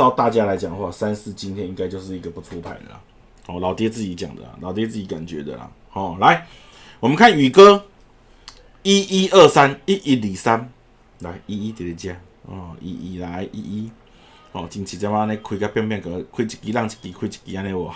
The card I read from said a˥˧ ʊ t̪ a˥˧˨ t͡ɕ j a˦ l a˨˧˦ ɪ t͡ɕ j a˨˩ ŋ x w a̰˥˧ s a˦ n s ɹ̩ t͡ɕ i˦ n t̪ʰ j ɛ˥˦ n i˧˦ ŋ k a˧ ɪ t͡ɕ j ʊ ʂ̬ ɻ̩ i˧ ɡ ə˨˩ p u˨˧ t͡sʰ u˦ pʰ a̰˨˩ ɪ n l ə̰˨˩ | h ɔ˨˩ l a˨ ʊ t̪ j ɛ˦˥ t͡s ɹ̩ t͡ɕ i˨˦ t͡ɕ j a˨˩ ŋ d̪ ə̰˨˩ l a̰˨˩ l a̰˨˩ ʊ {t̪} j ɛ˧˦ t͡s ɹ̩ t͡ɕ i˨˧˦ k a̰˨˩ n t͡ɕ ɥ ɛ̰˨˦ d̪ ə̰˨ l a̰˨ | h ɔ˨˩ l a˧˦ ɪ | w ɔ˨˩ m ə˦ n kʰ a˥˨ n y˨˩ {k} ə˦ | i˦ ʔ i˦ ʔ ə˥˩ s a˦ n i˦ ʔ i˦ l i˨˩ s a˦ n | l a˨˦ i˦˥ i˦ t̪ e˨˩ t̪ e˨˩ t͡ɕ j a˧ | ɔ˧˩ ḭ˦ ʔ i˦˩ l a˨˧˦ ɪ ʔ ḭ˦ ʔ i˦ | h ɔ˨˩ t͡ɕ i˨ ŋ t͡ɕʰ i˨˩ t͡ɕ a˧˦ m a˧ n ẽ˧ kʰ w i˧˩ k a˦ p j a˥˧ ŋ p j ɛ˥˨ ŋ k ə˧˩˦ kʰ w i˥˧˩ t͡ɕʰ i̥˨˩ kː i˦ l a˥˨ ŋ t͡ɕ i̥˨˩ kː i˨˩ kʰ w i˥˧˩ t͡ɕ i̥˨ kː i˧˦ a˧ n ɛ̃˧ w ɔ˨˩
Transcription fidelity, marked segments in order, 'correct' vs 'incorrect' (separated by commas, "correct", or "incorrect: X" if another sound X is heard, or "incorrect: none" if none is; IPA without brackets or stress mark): correct, correct